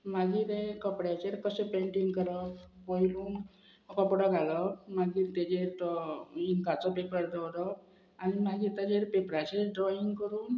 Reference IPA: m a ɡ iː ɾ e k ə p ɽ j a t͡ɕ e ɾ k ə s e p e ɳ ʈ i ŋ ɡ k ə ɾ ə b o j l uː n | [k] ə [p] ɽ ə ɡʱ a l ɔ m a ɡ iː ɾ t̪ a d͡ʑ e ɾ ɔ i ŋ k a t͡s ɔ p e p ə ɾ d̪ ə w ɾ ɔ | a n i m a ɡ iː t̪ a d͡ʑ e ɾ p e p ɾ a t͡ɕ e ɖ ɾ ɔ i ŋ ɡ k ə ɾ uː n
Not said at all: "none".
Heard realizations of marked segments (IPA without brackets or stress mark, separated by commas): k, p